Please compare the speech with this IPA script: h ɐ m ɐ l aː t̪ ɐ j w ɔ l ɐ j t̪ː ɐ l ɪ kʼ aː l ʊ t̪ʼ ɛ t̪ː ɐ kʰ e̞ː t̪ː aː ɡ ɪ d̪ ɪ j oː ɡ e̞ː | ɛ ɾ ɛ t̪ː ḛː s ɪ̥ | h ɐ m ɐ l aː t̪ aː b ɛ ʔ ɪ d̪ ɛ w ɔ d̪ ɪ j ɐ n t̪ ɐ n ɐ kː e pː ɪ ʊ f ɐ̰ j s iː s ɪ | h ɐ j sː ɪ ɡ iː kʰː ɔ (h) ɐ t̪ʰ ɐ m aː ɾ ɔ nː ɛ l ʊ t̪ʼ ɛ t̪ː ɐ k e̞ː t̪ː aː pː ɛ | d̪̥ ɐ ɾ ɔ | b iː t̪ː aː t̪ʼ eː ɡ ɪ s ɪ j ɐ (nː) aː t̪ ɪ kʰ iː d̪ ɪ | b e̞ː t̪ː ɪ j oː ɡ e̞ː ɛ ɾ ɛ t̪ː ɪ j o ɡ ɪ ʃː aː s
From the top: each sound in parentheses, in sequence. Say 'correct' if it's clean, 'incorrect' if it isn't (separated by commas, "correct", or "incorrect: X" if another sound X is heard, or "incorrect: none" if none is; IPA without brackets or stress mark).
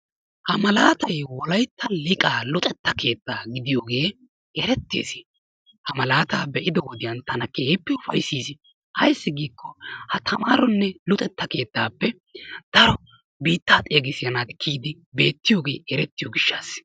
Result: correct, incorrect: n